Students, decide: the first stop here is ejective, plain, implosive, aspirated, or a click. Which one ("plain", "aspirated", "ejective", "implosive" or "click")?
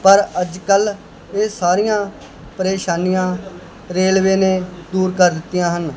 plain